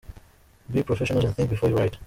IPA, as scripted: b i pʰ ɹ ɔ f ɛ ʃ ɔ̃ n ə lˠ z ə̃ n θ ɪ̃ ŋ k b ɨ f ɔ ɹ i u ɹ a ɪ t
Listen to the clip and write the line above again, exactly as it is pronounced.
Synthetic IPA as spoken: b i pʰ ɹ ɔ f ɛ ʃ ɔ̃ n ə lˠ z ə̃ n θ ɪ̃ ŋ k b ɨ f ɔ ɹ j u ɹ a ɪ t